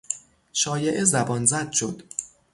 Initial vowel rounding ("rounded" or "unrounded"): rounded